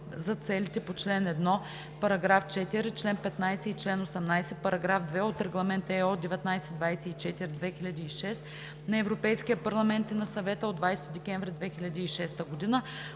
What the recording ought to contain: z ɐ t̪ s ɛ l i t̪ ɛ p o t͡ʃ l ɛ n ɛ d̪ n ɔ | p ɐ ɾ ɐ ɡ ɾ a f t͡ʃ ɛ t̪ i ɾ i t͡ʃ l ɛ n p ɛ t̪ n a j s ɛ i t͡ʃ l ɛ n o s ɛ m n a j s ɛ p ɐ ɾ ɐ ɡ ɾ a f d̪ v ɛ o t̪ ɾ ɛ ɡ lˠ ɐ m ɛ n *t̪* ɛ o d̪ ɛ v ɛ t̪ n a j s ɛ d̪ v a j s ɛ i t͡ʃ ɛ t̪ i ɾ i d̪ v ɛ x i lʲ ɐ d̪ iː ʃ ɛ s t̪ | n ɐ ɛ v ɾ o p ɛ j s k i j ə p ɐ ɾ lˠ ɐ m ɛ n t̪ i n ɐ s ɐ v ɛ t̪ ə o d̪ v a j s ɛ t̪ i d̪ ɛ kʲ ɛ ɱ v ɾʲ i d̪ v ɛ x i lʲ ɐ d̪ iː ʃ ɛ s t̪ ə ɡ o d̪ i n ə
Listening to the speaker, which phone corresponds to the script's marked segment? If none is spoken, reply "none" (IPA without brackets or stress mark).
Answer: t̪